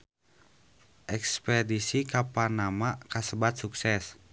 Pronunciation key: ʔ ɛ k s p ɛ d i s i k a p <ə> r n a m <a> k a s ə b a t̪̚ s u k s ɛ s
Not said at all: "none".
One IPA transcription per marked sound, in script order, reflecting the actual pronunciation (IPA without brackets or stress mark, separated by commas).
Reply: a, a